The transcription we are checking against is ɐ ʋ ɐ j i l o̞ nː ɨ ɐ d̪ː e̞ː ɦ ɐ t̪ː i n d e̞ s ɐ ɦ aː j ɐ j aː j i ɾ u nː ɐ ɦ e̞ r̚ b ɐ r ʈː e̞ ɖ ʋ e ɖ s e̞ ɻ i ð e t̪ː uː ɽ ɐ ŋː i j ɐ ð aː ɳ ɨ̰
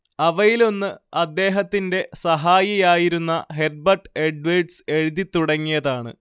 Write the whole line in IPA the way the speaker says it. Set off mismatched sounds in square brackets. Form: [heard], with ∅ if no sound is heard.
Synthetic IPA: ɐ ʋ ɐ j i l o̞ nː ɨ ɐ d̪ː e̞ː ɦ ɐ t̪ː i n d e̞ s ɐ ɦ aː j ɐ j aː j i ɾ u nː ɐ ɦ e̞ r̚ b ɐ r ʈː e̞ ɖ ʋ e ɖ s e̞ ɻ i ð [i] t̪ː [u] ɽ ɐ ŋː i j ɐ ð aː ɳ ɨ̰